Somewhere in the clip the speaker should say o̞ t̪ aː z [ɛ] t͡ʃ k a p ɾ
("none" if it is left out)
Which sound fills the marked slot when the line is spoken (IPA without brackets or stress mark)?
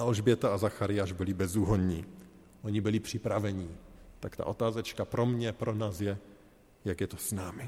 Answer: ɛ